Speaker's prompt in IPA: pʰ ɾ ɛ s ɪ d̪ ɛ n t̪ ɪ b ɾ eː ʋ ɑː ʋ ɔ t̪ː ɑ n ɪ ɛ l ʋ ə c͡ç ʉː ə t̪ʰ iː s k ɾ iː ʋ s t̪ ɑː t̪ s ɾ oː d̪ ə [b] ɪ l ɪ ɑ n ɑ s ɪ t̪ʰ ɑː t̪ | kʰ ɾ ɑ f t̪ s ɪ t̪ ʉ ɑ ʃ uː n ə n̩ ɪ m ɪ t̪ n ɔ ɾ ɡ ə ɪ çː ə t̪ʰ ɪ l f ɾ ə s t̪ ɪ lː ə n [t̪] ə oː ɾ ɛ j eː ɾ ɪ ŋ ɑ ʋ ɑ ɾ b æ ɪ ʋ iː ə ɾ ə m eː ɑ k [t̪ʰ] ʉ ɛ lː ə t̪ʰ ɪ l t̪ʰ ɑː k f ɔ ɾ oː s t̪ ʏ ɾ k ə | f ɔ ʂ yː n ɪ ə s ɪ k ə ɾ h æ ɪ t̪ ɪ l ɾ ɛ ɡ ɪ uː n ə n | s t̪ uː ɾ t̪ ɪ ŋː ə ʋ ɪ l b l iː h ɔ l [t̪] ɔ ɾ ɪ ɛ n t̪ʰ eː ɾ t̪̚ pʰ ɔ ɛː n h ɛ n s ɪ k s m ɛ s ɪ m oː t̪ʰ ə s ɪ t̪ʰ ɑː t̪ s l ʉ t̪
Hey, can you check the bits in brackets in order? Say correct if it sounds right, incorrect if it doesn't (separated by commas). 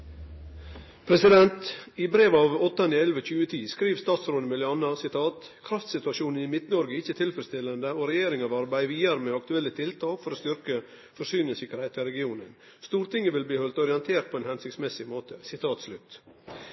incorrect, incorrect, incorrect, correct